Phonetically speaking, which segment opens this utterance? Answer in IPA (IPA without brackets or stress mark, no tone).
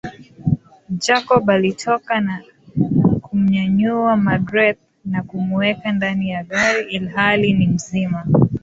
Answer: d͡ʒ